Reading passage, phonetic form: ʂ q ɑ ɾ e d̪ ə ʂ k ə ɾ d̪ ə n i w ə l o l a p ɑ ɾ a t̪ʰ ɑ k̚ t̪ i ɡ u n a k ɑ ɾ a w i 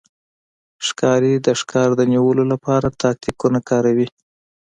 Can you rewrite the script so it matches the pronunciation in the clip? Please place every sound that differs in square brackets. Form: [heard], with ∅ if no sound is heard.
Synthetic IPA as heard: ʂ [k] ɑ ɾ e d̪ ə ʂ k [ɑ] ɾ d̪ ə n i w ə l o l a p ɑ ɾ a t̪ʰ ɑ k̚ t̪ i [k] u n a k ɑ ɾ a w i